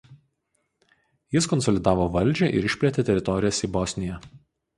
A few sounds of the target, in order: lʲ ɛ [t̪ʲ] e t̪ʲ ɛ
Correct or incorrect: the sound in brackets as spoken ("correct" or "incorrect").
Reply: correct